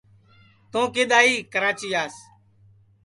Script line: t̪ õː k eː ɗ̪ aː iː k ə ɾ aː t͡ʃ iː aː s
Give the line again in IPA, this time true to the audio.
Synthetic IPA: t̪ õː k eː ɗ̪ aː iː k ə ɾ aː t͡ʃ iː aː s